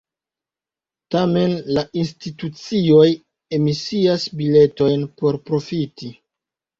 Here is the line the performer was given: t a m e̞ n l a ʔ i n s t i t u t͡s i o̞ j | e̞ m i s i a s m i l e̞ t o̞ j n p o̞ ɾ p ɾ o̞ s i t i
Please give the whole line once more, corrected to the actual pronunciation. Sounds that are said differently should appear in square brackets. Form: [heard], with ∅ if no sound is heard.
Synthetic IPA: t a m e̞ n l a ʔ i n s t i t u t͡s i o̞ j | e̞ m i s i a s [b] i l e̞ t o̞ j n p o̞ ɾ p ɾ o̞ [f] i t i